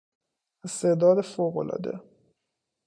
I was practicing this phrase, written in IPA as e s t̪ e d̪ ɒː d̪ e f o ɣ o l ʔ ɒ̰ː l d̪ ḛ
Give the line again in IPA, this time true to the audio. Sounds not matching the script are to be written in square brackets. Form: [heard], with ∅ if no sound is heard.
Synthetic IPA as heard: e s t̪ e d̪ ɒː d̪ e f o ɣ o l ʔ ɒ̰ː [∅] d̪ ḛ